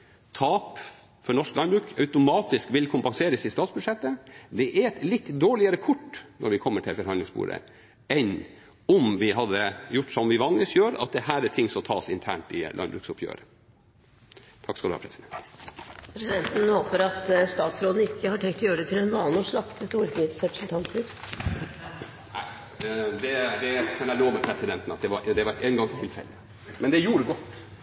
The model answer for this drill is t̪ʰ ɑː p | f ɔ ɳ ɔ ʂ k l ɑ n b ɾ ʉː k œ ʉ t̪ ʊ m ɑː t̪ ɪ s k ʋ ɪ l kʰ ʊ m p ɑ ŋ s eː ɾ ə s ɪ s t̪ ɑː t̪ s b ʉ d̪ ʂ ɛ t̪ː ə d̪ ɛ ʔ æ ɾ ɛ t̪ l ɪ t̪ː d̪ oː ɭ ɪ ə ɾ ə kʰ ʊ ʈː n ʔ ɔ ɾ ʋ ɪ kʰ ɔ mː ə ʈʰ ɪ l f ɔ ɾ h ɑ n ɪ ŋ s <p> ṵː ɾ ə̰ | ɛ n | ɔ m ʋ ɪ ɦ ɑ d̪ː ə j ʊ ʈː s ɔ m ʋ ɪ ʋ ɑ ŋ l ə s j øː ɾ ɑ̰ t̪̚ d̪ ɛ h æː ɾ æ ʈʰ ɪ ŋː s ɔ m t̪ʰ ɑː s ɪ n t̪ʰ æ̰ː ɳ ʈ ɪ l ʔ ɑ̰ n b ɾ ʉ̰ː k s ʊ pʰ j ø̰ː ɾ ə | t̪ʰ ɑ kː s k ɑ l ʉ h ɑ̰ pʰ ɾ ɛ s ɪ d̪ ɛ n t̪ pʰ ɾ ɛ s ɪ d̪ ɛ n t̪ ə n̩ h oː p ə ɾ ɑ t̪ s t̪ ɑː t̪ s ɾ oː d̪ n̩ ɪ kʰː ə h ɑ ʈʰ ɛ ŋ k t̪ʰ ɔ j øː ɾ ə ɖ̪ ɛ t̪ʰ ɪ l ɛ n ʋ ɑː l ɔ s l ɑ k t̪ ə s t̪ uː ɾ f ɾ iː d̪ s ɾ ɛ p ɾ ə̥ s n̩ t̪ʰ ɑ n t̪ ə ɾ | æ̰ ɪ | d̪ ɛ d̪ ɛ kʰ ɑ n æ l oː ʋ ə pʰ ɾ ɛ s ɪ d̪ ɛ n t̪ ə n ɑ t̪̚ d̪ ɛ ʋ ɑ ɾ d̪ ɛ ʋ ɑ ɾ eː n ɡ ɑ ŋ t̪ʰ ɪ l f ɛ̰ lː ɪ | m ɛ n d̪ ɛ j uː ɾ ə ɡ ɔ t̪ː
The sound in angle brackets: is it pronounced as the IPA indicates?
no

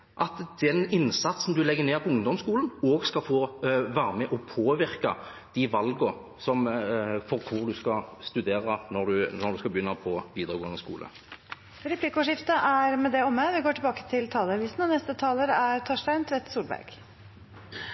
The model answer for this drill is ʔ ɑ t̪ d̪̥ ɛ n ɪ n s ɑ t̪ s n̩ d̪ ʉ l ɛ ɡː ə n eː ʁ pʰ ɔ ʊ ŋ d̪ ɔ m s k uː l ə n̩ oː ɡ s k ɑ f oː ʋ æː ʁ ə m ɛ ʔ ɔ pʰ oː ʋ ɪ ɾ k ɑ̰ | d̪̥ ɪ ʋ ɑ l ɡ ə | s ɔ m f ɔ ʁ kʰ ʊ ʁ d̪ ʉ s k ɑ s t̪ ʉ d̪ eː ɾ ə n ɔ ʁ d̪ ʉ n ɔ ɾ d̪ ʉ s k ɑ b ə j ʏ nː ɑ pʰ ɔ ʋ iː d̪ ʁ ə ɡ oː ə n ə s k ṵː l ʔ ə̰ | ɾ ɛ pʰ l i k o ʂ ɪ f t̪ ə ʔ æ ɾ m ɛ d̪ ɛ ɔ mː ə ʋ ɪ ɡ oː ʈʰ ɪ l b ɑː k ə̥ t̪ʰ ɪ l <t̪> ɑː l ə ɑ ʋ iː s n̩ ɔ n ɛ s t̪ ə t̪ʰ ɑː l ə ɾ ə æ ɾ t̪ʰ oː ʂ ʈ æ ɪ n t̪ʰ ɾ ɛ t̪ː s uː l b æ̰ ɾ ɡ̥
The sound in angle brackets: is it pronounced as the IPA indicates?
no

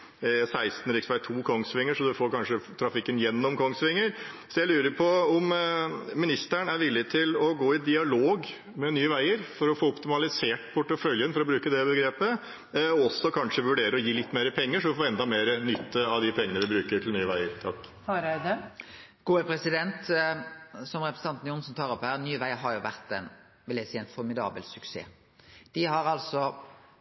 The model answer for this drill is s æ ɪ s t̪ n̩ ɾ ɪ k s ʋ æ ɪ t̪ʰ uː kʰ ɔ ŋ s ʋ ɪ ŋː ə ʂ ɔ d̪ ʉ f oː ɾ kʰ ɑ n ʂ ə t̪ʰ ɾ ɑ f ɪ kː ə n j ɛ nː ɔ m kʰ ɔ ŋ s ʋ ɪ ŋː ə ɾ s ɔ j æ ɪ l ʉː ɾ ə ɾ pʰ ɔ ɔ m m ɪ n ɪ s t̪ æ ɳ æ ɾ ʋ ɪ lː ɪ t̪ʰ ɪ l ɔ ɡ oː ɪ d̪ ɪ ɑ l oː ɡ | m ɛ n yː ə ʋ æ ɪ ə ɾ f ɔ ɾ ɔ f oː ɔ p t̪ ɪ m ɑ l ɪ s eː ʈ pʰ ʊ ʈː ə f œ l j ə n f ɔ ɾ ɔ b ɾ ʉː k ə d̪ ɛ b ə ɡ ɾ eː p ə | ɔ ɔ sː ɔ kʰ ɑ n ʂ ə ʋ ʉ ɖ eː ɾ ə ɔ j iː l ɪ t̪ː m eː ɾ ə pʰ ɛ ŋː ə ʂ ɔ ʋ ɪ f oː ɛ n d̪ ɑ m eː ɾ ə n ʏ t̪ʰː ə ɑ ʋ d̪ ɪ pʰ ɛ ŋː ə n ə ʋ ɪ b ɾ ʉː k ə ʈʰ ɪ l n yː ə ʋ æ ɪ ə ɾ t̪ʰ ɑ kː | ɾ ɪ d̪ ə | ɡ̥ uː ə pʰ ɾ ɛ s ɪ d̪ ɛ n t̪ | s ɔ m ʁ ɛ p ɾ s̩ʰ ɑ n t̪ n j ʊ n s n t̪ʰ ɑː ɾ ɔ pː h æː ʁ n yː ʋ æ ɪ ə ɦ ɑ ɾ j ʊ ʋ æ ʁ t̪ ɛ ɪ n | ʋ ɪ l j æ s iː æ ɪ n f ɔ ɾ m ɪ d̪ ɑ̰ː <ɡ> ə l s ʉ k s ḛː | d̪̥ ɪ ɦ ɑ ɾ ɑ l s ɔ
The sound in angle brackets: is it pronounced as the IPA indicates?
no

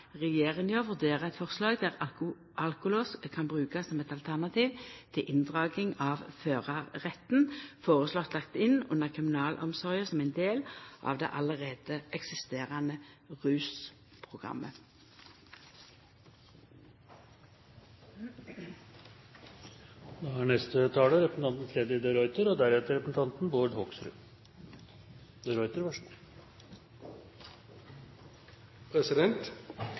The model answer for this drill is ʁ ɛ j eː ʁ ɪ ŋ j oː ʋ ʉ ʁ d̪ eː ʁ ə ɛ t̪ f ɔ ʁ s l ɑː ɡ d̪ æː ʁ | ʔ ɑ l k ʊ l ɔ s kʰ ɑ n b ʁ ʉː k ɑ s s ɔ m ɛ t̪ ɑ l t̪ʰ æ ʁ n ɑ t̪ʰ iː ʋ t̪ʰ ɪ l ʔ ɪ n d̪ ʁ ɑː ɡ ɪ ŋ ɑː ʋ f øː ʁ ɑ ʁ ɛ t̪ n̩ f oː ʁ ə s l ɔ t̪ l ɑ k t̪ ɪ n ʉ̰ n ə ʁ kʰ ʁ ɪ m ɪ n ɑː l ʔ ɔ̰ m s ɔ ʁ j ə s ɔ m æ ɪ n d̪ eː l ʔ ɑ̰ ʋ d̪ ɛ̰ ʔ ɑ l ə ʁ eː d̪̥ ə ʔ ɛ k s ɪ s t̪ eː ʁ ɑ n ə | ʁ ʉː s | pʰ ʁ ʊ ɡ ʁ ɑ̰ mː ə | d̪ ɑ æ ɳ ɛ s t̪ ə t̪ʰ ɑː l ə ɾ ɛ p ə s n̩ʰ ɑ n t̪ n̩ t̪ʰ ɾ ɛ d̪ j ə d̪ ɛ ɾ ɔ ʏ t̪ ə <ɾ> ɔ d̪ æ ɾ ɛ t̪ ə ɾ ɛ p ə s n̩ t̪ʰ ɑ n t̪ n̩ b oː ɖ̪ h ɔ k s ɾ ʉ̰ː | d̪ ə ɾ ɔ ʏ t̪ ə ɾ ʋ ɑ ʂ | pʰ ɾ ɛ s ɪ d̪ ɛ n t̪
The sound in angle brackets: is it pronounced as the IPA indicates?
yes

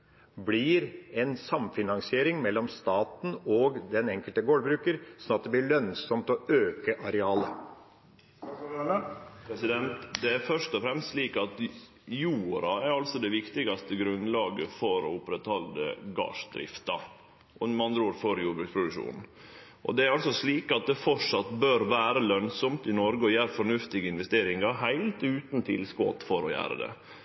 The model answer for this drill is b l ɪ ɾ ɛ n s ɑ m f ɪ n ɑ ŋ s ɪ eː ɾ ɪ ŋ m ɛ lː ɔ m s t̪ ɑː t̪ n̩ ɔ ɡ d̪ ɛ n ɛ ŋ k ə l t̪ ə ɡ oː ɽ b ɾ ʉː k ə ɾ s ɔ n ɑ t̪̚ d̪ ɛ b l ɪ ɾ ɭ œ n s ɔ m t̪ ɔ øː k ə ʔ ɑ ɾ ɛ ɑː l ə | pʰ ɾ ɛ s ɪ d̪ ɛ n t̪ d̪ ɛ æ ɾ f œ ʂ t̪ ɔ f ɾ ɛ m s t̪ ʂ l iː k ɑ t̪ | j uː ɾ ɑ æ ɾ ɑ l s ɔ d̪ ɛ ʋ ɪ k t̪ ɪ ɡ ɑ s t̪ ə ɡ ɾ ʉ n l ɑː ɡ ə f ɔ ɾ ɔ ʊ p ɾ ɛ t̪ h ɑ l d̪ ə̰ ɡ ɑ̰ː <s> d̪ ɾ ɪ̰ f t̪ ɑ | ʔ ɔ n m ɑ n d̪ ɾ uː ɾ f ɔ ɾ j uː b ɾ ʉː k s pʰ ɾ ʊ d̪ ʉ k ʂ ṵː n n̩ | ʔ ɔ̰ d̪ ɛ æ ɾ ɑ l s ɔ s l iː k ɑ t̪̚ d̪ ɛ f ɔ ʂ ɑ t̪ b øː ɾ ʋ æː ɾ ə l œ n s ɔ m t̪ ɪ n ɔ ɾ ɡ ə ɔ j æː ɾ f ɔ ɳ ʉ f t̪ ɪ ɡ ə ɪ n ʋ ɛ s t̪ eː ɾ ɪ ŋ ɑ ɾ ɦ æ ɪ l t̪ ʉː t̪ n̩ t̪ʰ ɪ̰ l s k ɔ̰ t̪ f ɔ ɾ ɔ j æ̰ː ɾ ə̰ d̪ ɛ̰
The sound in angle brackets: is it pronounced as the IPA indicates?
no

